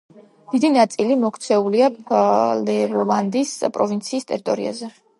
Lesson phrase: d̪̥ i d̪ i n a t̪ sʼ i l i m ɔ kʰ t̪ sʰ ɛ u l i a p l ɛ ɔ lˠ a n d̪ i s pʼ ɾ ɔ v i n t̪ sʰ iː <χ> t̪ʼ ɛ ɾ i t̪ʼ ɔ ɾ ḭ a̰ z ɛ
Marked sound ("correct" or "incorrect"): incorrect